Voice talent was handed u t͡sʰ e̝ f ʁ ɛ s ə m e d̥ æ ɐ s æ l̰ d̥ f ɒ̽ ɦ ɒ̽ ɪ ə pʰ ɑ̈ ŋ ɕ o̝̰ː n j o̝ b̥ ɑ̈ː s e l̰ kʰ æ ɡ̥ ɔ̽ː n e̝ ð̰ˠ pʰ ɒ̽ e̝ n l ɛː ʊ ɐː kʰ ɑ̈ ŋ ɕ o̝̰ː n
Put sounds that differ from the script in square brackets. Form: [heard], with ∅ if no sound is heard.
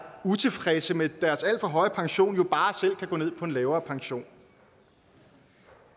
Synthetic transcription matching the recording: u t͡sʰ e̝ f ʁ ɛ s ə m e d̥ æ ɐ s æ l̰ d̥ f ɒ̽ ɦ ɒ̽ ɪ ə pʰ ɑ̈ ŋ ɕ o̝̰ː n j o̝ b̥ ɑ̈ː s e l̰ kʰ æ ɡ̥ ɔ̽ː n e̝ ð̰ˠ pʰ ɒ̽ e̝ n l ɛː ʊ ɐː [pʰ] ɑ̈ ŋ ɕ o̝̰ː n